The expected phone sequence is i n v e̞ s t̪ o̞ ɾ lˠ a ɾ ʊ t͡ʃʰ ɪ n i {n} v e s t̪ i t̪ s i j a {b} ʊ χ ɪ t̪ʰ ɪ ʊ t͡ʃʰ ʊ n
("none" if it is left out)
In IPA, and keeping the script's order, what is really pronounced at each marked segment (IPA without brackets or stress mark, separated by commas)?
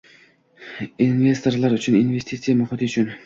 n, m